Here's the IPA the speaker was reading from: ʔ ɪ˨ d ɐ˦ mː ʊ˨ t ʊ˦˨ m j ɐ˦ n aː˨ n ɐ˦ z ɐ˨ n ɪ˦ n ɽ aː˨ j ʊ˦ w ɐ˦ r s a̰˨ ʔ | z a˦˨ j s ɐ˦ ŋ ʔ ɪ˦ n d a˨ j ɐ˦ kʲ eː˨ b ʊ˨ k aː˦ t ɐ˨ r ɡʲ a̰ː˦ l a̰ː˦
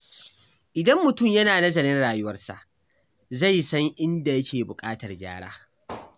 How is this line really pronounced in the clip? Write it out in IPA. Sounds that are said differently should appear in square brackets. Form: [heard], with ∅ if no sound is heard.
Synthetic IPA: ʔ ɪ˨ d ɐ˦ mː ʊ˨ t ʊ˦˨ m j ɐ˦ n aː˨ n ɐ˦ z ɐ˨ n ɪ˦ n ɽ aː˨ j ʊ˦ w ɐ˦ r s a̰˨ ʔ | z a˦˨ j s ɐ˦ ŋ ʔ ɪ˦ n d a˨ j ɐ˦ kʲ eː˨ b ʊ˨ [kʼ] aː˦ t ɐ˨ r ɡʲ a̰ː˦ [ɽ] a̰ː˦

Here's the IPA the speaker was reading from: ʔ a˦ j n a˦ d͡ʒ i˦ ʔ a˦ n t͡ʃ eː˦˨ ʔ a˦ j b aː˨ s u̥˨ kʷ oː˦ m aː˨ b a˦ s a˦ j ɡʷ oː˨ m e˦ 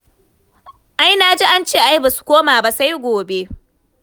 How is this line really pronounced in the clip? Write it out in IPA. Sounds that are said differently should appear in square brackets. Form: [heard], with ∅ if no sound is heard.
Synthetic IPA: ʔ a˦ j n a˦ d͡ʒ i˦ ʔ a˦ n t͡ʃ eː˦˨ ʔ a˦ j b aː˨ s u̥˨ kʷ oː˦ m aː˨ b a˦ s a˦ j ɡʷ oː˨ [b] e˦

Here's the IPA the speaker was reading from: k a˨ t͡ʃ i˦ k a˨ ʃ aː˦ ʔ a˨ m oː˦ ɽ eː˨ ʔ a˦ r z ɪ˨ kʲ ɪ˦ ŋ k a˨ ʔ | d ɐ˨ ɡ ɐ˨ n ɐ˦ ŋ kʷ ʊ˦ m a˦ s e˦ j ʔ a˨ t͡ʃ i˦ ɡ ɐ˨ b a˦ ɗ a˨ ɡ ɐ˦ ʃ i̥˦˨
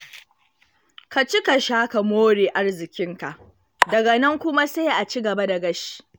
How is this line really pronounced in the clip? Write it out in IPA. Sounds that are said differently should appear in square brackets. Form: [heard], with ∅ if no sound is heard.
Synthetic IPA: k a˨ t͡ʃ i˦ k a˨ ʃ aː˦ [k] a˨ m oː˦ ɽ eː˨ ʔ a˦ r z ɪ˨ kʲ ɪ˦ ŋ k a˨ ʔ | d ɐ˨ ɡ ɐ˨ n ɐ˦ ŋ kʷ ʊ˦ m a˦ s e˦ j ʔ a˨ t͡ʃ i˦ ɡ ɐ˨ b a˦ [d] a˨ ɡ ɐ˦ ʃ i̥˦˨

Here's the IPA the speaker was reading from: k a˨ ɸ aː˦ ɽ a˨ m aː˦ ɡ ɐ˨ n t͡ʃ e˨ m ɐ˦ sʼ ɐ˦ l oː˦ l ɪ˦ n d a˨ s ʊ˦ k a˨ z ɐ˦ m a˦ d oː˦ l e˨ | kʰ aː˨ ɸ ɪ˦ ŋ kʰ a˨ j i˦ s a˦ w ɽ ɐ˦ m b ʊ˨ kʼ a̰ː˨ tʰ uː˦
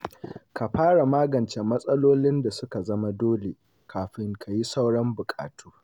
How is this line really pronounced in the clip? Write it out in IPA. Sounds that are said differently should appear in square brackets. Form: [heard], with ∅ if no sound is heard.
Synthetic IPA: k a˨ ɸ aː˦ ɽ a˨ m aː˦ ɡ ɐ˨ n t͡ʃ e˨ m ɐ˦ sʼ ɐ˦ l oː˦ l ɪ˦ n d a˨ s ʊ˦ k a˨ z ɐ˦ m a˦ d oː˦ l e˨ | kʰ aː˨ ɸ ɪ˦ ŋ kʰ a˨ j i˦ s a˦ w ɽ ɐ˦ m b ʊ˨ kʼ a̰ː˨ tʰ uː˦

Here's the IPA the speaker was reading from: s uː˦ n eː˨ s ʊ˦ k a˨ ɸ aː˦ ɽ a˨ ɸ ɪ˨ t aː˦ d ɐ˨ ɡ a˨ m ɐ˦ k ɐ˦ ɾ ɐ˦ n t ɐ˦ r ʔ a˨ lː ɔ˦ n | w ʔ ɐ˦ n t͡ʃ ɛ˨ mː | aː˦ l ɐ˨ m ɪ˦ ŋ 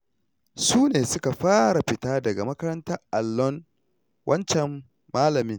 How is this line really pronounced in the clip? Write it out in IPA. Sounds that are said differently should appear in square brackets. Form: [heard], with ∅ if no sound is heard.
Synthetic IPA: s uː˦ n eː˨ s ʊ˦ k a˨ ɸ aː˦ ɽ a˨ ɸ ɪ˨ t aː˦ d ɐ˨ ɡ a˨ m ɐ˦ k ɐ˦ ɾ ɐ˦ n t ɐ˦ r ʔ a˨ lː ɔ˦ n | w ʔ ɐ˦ n t͡ʃ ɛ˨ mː | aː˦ l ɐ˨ m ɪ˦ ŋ

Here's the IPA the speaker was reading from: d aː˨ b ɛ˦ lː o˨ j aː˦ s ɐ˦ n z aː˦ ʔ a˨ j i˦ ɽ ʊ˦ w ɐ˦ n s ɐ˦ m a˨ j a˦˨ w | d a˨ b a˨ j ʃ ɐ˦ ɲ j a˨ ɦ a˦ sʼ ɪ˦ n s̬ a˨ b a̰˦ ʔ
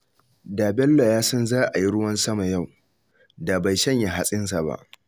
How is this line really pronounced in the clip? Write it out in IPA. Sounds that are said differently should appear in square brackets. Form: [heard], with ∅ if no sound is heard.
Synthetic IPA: d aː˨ b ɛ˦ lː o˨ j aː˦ s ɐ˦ n z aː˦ ʔ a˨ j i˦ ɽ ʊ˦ w ɐ˦ n s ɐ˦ m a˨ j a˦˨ w | d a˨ b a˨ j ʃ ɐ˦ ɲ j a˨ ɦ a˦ sʼ ɪ˦ n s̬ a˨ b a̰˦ ʔ

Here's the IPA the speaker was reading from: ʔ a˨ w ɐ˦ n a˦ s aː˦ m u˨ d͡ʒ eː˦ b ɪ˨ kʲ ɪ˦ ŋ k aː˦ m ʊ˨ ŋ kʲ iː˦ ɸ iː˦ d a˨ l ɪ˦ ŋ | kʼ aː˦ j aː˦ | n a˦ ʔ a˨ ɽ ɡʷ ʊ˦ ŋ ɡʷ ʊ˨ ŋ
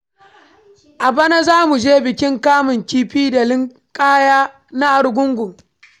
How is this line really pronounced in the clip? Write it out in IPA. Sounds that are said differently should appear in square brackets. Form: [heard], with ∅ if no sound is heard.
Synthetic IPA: ʔ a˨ [b] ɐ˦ n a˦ [z] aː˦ m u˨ d͡ʒ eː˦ b ɪ˨ kʲ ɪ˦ ŋ k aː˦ m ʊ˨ ŋ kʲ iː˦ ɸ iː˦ d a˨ l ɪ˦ ŋ | kʼ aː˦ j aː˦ | n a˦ ʔ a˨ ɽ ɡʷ ʊ˦ ŋ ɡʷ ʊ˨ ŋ

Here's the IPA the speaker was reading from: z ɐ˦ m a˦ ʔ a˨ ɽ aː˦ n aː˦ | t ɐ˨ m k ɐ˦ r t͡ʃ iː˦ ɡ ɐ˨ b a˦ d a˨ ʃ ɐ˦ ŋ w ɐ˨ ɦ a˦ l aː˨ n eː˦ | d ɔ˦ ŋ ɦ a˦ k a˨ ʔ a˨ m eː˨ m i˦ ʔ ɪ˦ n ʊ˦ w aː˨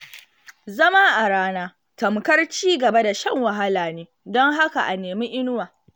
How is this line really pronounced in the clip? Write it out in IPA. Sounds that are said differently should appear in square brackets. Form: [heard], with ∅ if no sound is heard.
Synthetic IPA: z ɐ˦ m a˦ ʔ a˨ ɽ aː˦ n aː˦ | t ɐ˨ m k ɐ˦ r t͡ʃ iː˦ ɡ ɐ˨ b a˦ d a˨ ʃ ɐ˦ ŋ w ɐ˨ ɦ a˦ l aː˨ n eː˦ | d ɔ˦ ŋ ɦ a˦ k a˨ ʔ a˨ [n] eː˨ m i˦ ʔ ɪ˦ n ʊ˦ w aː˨

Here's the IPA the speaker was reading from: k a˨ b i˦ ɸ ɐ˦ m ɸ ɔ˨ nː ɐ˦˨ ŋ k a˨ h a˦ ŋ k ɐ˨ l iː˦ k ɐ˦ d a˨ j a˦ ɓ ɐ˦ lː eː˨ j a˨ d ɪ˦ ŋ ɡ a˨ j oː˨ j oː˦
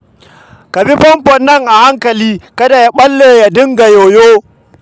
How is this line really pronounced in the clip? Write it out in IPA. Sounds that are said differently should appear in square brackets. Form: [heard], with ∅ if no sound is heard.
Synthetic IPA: k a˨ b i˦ ɸ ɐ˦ m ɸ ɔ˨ nː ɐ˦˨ ŋ [ʔ] a˨ h a˦ ŋ k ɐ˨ l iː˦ k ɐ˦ d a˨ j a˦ ɓ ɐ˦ lː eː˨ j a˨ d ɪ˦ ŋ ɡ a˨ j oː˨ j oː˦

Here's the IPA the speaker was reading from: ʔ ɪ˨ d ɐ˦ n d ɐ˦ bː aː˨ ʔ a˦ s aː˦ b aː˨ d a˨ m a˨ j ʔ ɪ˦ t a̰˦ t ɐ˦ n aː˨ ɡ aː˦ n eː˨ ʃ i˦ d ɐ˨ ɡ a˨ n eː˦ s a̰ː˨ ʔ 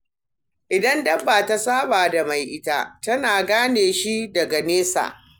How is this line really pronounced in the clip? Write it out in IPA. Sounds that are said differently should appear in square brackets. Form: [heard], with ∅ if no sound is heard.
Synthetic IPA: ʔ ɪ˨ d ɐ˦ n d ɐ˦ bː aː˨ [t] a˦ s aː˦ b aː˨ d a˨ m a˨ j ʔ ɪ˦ t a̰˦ t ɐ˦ n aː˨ ɡ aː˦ n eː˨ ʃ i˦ d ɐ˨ ɡ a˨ n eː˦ s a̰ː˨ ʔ

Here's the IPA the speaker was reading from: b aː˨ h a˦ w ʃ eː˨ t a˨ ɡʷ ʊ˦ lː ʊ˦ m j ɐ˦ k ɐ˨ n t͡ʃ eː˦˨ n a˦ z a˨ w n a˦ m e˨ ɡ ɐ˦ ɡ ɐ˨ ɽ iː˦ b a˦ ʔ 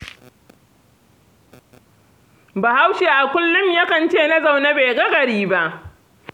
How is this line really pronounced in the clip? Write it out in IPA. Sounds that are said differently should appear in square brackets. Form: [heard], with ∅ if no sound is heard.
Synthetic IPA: b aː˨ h a˦ w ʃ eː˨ [ʔ] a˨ [kʷ] ʊ˦ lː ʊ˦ m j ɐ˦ k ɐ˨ n t͡ʃ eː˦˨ n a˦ z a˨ w n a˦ [b] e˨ ɡ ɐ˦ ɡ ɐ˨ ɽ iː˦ b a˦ ʔ

